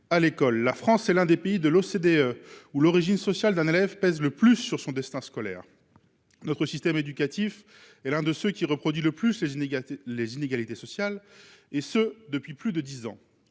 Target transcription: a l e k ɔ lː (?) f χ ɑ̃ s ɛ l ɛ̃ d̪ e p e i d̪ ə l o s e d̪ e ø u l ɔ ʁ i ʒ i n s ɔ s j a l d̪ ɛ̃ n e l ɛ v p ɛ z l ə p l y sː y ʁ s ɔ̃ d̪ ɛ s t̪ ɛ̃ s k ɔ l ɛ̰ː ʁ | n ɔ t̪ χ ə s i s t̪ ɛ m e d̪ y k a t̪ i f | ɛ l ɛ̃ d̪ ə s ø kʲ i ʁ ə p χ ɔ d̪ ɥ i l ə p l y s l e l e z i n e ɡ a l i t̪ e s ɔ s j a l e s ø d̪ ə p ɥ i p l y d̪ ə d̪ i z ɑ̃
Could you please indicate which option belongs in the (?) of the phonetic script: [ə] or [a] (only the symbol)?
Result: a